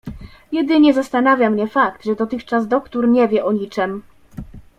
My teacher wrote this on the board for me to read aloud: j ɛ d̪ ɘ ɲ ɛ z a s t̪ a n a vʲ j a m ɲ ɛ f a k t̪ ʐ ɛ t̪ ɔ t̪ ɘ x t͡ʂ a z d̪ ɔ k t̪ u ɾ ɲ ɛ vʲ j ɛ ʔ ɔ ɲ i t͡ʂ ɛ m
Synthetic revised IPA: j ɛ d̪ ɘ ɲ ɛ z a s t̪ a n a vʲ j a m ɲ ɛ f a k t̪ ʐ ɛ d̪ ɔ t̪ ɘ x t͡ʂ a z d̪ ɔ k t̪ u ɾ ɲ ɛ vʲ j ɛ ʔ ɔ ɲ i t͡ʂ ɛ m